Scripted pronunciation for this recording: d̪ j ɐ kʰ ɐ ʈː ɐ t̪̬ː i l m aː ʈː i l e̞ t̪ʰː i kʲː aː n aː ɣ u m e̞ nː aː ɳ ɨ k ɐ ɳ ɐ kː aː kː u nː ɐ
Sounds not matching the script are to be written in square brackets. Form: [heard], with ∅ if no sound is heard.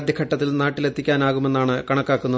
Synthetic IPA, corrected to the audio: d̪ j ɐ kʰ ɐ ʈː ɐ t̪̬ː i l [n] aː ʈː i l e̞ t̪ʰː i kʲː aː n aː ɣ u m e̞ nː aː ɳ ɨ k ɐ ɳ ɐ kː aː kː u nː ɐ